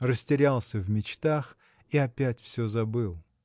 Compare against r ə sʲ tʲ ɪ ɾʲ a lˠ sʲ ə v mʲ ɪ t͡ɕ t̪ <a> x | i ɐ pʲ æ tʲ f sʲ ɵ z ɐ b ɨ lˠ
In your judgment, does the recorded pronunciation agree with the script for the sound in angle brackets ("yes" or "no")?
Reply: yes